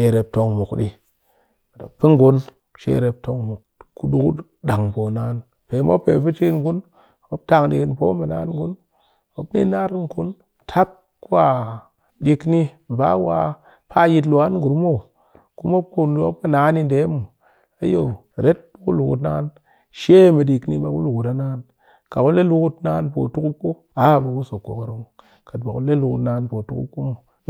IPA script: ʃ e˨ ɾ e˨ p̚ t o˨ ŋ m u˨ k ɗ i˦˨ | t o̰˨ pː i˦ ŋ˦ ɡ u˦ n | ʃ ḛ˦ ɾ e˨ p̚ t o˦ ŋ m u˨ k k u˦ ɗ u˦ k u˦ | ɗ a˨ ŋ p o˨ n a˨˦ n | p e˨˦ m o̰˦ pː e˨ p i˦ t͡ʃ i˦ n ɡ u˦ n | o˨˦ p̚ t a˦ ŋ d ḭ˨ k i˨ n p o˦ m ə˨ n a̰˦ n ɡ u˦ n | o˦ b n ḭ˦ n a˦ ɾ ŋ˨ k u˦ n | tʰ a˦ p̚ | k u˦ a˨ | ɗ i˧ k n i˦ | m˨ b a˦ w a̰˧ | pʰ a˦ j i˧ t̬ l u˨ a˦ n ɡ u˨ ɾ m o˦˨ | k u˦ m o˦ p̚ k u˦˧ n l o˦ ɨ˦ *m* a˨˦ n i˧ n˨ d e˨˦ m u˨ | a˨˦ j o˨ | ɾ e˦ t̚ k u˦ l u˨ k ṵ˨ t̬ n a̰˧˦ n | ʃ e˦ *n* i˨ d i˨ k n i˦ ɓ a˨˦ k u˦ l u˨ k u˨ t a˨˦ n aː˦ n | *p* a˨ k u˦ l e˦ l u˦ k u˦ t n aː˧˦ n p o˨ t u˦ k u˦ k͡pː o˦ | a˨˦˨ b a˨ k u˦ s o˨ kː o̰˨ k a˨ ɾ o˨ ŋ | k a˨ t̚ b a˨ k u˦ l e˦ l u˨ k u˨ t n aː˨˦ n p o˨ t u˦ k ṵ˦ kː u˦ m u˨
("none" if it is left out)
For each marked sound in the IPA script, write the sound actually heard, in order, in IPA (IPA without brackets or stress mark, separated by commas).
n, m, k